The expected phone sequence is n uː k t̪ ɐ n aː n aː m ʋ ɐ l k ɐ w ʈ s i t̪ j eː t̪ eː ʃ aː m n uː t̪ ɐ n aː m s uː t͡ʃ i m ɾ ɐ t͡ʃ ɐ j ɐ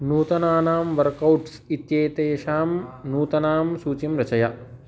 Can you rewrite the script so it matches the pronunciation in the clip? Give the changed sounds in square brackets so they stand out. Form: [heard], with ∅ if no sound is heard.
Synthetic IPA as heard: n uː [∅] t̪ ɐ n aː n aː m ʋ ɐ [ɾ] k ɐ w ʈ s i t̪ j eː t̪ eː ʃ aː m n uː t̪ ɐ n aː m s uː t͡ʃ i m ɾ ɐ t͡ʃ ɐ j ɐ

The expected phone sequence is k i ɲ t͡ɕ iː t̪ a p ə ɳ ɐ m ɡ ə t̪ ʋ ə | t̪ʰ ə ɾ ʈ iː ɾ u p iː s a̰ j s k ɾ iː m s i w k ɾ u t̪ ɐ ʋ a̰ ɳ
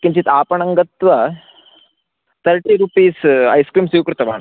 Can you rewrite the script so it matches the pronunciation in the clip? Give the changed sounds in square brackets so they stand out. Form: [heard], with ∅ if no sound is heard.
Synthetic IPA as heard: k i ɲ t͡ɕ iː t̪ a p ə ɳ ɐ [ŋ] ɡ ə t̪ ʋ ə | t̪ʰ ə ɾ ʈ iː ɾ u p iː s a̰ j s k ɾ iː m s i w k ɾ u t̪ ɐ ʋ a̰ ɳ

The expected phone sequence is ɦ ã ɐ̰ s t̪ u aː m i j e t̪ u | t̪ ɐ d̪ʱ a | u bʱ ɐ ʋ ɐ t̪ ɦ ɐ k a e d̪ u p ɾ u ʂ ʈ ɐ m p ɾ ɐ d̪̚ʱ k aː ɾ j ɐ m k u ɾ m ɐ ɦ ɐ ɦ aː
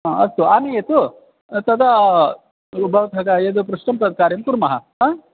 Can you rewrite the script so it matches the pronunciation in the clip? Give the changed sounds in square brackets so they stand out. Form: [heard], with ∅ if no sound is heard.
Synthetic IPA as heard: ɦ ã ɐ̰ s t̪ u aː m i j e t̪ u | t̪ ɐ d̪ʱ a | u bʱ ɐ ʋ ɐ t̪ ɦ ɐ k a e d̪ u p ɾ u ʂ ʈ ɐ m p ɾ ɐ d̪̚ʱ k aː ɾ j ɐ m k u ɾ m ɐ ɦ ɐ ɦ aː

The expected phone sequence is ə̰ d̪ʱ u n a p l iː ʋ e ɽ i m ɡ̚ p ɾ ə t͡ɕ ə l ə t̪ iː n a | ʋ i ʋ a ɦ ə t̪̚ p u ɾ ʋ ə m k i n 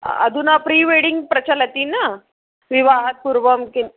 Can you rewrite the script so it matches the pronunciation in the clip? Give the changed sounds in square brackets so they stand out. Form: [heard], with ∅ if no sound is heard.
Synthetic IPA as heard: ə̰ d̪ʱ u n a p [ɾ] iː ʋ e ɽ i [ŋ] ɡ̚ p ɾ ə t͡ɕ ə l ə t̪ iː n a | ʋ i ʋ a ɦ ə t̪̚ p u ɾ ʋ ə m k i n

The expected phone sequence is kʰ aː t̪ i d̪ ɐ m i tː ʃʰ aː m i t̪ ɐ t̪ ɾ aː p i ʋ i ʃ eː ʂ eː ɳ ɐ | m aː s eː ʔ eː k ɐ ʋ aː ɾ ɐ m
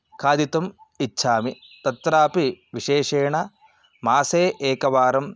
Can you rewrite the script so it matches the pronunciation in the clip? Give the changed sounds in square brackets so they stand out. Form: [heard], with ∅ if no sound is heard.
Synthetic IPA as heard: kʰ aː [d̪] i [t̪] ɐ m i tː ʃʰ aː m i t̪ ɐ t̪ ɾ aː p i ʋ i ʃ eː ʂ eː ɳ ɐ | m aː s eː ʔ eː k ɐ ʋ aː ɾ ɐ m

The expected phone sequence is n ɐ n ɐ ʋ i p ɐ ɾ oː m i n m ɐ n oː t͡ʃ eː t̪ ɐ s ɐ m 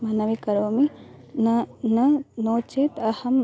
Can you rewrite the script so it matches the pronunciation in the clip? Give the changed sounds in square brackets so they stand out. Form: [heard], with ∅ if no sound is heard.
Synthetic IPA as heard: [m] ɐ n ɐ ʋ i [k] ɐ ɾ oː m i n [n] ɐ n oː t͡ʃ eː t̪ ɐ [h] ɐ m

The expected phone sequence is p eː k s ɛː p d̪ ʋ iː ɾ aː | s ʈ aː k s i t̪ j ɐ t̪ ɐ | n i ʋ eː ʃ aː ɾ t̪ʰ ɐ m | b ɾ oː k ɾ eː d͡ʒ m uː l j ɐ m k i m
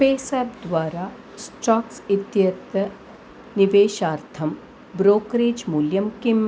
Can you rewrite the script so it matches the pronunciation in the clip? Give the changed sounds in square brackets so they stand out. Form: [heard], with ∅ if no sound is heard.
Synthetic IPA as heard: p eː [∅] s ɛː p d̪ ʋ [aː] ɾ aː | s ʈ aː k s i t̪ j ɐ t̪ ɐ | n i ʋ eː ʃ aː ɾ t̪ʰ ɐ m | b ɾ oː k ɾ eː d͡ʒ m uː l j ɐ m k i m

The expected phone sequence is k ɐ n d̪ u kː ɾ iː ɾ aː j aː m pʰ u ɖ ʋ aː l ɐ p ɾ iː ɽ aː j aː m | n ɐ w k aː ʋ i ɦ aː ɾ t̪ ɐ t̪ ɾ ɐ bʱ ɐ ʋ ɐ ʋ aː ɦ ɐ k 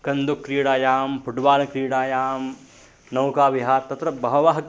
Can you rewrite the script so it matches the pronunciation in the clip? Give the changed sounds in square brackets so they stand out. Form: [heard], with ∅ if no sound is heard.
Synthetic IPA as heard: k ɐ n d̪ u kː ɾ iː [ɽ] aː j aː m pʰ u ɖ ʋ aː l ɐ [k] ɾ iː ɽ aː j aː m | n ɐ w k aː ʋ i ɦ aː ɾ t̪ ɐ t̪ ɾ ɐ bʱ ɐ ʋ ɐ ʋ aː ɦ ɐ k

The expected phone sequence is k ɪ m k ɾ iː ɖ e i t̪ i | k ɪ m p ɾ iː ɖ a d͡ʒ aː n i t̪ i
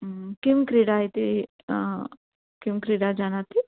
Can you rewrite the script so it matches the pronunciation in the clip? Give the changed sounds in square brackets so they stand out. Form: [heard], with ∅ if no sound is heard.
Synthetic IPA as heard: k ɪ m k ɾ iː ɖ [a] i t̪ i | k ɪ m [k] ɾ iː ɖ a d͡ʒ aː n [a] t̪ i

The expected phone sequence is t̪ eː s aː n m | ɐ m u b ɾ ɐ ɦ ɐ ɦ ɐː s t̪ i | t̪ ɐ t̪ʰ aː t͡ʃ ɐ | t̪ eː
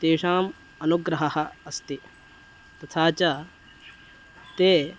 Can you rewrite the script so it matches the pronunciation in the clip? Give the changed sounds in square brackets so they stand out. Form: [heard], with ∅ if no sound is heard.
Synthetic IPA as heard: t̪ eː [ʂ] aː [∅] m | ɐ [n] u [ɡ] ɾ ɐ ɦ ɐ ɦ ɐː s t̪ i | t̪ ɐ t̪ʰ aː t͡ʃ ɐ | t̪ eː

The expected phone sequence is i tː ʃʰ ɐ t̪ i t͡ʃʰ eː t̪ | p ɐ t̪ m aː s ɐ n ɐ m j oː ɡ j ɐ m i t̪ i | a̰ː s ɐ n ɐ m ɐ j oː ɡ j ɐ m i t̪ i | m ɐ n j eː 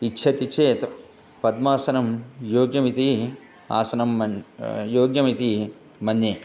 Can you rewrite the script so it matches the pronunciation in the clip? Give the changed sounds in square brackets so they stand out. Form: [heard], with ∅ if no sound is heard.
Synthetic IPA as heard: i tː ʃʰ ɐ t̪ i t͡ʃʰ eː t̪ | p ɐ [d̪] m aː s ɐ n ɐ m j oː ɡ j ɐ m i t̪ i | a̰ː s ɐ n ɐ m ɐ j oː ɡ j ɐ m i t̪ i | m ɐ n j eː

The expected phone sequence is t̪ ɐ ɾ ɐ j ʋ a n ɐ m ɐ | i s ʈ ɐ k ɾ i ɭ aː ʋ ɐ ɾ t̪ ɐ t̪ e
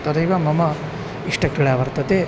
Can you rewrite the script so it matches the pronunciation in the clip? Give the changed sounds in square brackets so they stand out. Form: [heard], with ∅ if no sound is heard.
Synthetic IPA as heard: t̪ ɐ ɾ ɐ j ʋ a [m] ɐ m ɐ | i [ʂ] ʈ ɐ k ɾ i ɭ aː ʋ ɐ ɾ t̪ ɐ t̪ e

